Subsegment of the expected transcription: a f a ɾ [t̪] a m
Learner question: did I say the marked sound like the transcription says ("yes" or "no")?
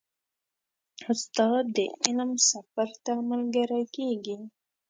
yes